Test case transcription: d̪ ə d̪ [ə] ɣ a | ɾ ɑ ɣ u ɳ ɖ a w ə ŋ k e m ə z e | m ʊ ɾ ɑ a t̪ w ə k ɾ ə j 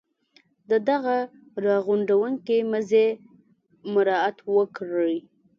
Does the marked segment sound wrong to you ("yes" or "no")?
yes